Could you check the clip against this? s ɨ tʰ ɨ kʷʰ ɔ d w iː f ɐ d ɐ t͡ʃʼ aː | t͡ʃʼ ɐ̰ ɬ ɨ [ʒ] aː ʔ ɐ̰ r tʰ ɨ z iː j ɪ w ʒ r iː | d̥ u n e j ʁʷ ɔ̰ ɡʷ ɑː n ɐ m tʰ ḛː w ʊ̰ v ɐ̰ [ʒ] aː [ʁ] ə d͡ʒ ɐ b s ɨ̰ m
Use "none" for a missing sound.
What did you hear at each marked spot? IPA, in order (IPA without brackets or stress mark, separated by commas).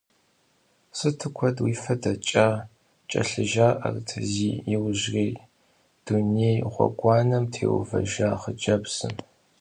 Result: ʒ, ʒ, χ